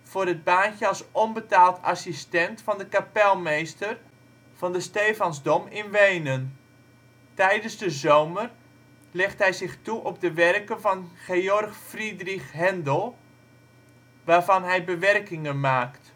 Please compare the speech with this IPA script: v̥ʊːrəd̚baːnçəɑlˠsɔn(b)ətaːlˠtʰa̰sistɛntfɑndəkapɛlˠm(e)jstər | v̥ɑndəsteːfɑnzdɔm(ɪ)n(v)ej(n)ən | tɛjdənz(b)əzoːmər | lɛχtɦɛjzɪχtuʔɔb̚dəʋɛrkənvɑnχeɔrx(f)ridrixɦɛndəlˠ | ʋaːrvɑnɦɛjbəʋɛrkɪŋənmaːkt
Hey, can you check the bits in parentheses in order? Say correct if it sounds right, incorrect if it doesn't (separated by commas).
correct, correct, correct, incorrect, correct, incorrect, correct